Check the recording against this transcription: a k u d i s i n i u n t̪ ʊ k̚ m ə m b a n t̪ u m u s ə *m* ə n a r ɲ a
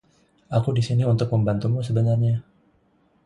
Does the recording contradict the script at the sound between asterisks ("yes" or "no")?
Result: yes